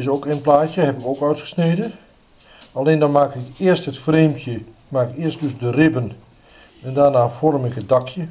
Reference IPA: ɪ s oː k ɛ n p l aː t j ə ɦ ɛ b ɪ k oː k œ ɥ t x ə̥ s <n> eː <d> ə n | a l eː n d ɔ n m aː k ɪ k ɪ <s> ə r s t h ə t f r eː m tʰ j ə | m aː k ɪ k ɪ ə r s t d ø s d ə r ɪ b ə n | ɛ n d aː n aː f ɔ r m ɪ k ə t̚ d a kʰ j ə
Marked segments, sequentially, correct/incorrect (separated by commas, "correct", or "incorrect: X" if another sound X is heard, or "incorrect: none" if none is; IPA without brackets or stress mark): correct, correct, incorrect: none